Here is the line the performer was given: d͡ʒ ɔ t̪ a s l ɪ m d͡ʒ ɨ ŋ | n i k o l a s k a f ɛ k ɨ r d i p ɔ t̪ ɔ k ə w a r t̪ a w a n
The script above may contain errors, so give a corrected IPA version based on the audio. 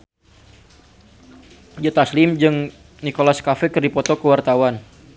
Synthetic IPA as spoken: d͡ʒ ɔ t̪ a s l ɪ m d͡ʒ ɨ ŋ | n i k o l a s k a f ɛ k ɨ r d i p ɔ t̪ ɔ k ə w a r t̪ a w a n